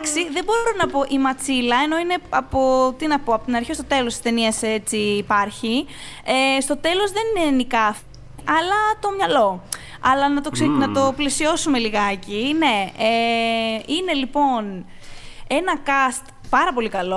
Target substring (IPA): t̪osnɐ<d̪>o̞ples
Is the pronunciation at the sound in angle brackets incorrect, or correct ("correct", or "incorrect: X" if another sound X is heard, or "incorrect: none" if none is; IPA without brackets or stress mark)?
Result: incorrect: t̪